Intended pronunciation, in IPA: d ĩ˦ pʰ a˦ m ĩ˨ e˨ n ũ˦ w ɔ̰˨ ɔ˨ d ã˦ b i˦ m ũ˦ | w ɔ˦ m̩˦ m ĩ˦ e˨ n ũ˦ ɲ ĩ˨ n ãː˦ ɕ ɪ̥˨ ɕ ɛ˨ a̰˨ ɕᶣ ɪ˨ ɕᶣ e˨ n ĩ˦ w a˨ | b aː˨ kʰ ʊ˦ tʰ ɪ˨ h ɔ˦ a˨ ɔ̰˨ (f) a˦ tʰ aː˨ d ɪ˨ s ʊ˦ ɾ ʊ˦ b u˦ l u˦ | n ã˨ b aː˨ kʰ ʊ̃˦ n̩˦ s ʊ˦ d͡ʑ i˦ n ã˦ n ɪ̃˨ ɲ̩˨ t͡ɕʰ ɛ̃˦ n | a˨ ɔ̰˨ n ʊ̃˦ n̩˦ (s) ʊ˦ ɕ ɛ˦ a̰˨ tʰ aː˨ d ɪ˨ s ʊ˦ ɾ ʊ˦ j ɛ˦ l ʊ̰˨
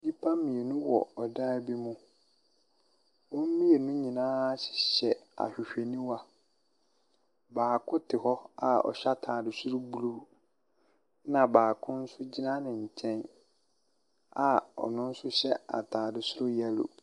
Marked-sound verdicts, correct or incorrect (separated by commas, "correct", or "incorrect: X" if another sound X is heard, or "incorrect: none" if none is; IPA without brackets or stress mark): incorrect: ɕ, correct